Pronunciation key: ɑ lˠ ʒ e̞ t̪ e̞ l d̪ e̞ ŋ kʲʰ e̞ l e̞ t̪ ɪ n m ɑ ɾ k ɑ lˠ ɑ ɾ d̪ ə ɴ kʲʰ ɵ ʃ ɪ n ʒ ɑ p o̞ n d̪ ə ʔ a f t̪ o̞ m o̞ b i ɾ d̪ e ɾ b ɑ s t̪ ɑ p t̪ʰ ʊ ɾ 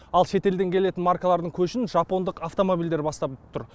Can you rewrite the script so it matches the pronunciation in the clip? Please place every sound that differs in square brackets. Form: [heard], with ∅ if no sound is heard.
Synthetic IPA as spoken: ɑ lˠ [ʃ] e̞ t̪ e̞ l d̪ e̞ ŋ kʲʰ e̞ l e̞ t̪ ɪ n m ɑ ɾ k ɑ lˠ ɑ ɾ d̪ ə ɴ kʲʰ ɵ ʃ ɪ n ʒ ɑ p o̞ n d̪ ə [q] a f t̪ o̞ m o̞ b i [l] d̪ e ɾ b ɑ s t̪ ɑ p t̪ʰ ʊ ɾ